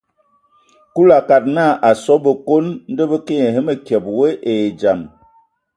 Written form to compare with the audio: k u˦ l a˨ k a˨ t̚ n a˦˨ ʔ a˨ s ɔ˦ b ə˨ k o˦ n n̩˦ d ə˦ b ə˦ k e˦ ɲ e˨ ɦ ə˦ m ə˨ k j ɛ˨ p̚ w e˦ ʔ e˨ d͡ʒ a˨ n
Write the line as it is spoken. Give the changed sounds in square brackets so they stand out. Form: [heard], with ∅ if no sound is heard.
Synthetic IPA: k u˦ l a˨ k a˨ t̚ n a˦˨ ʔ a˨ s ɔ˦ b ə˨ k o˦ n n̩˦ d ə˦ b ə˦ k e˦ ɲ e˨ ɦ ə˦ m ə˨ k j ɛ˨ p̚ w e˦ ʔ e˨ d͡ʒ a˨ [m]